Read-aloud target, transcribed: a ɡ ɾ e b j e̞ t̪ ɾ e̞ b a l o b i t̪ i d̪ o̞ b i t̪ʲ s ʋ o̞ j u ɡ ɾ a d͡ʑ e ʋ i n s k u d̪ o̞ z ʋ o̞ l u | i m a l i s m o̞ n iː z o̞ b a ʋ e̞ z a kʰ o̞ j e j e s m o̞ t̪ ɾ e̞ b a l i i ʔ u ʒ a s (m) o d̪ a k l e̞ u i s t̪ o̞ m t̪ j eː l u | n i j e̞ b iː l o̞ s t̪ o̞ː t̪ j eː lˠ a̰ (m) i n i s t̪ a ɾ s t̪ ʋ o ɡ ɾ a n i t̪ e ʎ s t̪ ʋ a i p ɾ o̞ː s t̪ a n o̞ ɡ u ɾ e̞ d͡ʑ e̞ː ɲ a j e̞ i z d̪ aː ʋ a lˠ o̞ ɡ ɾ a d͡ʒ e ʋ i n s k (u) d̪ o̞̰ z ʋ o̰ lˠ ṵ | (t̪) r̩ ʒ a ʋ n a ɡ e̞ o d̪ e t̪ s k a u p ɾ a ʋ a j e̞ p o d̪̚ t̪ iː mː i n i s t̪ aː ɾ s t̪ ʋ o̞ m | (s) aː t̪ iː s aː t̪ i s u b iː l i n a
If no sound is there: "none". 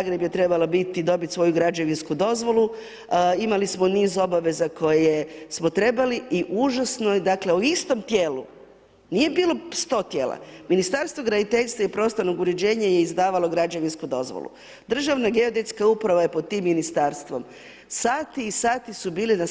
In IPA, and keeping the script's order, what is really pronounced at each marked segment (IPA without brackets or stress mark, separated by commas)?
n, m, u, d̪, s